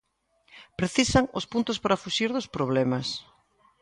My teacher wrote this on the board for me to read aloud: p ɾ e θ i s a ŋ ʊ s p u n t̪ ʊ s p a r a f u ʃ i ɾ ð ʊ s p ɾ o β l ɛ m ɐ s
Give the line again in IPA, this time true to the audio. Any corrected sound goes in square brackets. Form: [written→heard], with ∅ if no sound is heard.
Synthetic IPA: p ɾ e θ i s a ŋ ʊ s p u n t̪ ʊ s p a [r→ɾ] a f u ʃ i ɾ ð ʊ s p ɾ o β l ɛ m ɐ s